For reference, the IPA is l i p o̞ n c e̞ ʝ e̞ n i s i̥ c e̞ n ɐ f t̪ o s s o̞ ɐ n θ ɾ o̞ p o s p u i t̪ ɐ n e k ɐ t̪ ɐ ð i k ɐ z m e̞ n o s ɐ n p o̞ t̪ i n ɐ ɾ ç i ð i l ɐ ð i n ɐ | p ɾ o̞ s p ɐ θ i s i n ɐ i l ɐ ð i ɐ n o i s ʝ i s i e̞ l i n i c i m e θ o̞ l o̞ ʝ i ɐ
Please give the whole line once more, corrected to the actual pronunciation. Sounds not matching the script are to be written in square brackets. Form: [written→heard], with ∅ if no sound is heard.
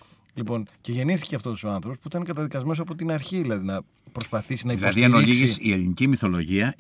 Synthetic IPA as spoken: l i p o̞ n c e̞ ʝ e̞ n i [s→θ] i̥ c e̞ [n→∅] ɐ f t̪ o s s o̞ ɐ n θ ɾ o̞ p o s p u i t̪ ɐ n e k ɐ t̪ ɐ ð i k ɐ z m e̞ n o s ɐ [n→∅] p o̞ t̪ i n ɐ ɾ ç i ð i l ɐ ð i n ɐ | p ɾ o̞ s p ɐ θ i s i n ɐ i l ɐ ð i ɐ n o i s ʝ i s i e̞ l i n i c i m [e→i] θ o̞ l o̞ ʝ i ɐ